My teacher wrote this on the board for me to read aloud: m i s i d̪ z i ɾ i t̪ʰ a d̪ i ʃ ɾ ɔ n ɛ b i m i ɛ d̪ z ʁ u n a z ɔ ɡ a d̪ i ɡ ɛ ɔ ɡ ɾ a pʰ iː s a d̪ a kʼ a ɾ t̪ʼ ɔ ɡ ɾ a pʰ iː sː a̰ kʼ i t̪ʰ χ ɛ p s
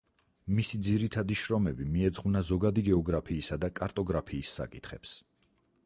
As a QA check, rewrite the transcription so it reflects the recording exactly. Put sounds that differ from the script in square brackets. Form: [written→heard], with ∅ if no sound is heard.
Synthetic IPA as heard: m i s i d̪ z i ɾ i t̪ʰ a d̪ i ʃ ɾ ɔ [n→m] ɛ b i m i ɛ d̪ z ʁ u n a z ɔ ɡ a d̪ i ɡ ɛ ɔ ɡ ɾ a pʰ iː s a d̪ a kʼ a ɾ t̪ʼ ɔ ɡ ɾ a pʰ iː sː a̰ kʼ i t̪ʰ χ ɛ p s